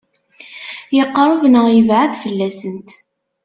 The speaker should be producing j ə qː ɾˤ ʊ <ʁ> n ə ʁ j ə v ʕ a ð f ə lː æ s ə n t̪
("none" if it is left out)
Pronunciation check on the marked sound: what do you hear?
v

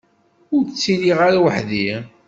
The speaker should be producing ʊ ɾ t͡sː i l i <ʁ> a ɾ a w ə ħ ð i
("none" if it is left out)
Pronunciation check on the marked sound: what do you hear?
ʁ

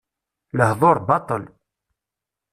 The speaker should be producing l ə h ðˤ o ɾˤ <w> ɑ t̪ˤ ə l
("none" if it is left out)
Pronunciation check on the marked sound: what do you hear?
b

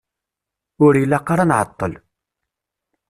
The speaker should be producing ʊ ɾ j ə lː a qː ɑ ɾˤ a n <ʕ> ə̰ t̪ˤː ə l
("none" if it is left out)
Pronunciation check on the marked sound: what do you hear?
ʕ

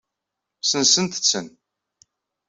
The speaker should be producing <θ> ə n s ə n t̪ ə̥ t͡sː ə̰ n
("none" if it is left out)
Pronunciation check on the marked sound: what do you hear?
s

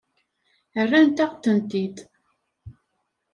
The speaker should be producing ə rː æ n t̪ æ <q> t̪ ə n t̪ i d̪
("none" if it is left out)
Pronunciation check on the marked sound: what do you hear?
q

